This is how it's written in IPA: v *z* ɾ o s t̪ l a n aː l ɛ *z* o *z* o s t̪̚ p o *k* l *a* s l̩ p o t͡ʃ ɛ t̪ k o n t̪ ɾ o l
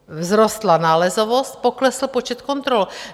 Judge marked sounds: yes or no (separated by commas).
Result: yes, yes, no, yes, no